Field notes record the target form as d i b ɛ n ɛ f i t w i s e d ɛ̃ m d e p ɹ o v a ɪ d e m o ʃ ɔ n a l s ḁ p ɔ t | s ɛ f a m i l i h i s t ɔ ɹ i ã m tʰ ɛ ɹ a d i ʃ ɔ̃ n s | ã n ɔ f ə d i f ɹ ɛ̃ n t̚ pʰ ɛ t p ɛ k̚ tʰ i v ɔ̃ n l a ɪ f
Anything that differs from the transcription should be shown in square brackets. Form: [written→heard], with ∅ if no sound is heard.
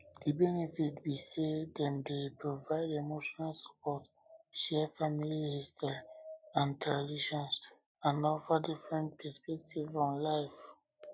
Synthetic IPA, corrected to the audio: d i b ɛ n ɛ f i t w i s e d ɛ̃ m d e p ɹ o v a ɪ d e m o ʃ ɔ n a l s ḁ p ɔ t | [s→ʃ] ɛ f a m i l i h i s t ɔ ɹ i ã [m→n] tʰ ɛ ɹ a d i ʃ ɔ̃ n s | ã n ɔ f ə d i f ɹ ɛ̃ n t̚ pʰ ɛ [t→s] p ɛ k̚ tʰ i v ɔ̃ n l a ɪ f